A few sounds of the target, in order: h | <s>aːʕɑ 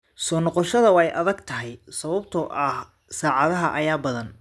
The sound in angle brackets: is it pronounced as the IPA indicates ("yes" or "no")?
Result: yes